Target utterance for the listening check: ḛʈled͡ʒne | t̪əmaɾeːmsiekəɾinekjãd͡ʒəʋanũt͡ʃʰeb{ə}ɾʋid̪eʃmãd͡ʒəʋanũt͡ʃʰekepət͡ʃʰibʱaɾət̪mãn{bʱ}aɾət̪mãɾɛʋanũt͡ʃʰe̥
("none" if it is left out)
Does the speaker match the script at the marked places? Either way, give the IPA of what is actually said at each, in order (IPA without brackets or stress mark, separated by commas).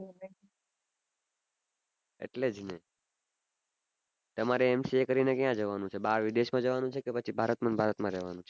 a, bʱ